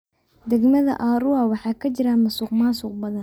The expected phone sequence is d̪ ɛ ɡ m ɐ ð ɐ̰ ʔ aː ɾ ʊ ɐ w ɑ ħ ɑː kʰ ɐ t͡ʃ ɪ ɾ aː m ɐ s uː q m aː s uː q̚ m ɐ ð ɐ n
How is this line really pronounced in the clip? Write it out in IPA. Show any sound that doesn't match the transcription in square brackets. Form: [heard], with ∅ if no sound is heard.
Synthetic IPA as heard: d̪ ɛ ɡ m ɐ ð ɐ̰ ʔ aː ɾ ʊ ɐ w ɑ ħ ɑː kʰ ɐ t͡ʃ ɪ ɾ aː m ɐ s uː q m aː s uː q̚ [b] ɐ ð ɐ n